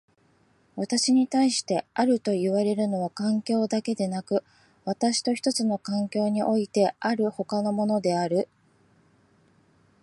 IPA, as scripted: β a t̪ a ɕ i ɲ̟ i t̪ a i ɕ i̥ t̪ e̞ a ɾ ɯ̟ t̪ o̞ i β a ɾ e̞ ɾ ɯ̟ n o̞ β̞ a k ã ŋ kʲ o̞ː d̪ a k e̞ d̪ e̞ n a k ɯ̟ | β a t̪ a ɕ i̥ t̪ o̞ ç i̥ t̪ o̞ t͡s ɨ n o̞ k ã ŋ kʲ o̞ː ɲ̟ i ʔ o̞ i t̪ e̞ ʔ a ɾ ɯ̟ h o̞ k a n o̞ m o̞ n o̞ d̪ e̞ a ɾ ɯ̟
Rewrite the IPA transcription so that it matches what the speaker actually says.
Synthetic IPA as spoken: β a t̪ a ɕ i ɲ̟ i t̪ a i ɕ i̥ t̪ e̞ a ɾ ɯ̟ t̪ o̞ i β a ɾ e̞ ɾ ɯ̟ n o̞ β̞ a k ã ŋ kʲ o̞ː d̪ a k e̞ d̪ e̞ n a k ɯ̟ | β a t̪ a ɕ i̥ t̪ o̞ ç i̥ t̪ o̞ t͡s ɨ n o̞ k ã ŋ kʲ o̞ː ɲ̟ i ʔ o̞ i t̪ e̞ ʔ a ɾ ɯ̟ h o̞ k a n o̞ m o̞ n o̞ d̪ e̞ a ɾ ɯ̟